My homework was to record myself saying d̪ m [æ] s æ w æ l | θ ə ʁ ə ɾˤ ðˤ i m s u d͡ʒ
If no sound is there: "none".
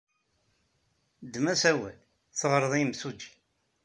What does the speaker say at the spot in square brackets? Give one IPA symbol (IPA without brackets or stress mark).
æ